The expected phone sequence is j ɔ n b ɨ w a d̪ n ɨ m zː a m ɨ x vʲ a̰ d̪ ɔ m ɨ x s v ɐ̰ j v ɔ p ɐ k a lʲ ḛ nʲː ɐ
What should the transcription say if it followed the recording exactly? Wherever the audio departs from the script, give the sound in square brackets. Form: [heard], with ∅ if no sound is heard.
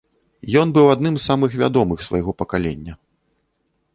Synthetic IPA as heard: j ɔ n b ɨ w a d̪ n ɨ m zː a m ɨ x vʲ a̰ d̪ ɔ m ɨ x s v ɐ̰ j [ɣ] ɔ p ɐ k a lʲ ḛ nʲː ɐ